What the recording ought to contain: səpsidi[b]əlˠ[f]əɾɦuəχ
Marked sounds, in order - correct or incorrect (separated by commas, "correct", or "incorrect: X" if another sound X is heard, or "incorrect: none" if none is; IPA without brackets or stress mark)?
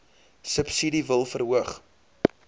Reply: incorrect: v, correct